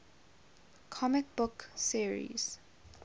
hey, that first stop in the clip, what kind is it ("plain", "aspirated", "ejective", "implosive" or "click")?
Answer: aspirated